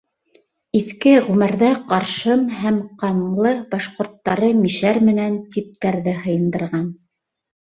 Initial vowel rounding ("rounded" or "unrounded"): unrounded